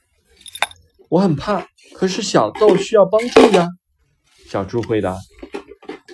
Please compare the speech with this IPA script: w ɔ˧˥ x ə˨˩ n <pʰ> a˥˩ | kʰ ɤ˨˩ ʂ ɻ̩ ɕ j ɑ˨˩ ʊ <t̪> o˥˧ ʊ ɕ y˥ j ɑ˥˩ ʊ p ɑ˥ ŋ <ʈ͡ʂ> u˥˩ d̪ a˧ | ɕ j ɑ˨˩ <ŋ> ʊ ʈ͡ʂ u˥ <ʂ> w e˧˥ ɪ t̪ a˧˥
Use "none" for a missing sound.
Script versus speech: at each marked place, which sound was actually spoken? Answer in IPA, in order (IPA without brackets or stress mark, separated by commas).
pʰ, t̪, ʈ͡ʂ, none, x